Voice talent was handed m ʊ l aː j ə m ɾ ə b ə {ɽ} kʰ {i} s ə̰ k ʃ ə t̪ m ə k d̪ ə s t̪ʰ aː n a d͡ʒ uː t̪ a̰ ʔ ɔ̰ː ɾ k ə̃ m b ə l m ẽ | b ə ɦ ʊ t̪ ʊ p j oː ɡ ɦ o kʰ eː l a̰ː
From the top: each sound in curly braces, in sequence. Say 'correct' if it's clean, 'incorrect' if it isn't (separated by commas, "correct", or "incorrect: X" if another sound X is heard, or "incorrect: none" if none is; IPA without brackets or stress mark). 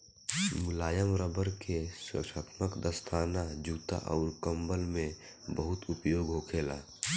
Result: incorrect: ɾ, incorrect: e